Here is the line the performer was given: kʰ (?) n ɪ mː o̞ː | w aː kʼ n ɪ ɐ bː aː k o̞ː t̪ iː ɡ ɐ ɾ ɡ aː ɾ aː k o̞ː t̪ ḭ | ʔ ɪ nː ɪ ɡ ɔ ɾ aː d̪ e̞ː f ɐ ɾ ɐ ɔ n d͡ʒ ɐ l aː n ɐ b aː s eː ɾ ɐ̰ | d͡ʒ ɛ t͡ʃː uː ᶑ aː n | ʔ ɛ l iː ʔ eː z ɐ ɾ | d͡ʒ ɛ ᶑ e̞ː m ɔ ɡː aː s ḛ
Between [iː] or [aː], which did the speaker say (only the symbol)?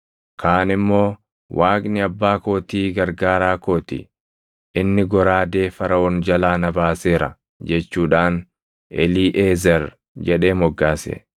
aː